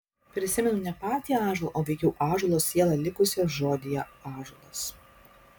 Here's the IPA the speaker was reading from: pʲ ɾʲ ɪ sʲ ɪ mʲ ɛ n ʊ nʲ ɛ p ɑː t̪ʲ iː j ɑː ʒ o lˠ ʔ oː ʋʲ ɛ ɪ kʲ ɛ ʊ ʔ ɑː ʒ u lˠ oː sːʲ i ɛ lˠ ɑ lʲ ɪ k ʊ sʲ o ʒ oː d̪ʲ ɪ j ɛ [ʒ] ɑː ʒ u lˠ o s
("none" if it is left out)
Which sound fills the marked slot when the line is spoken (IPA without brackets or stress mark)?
none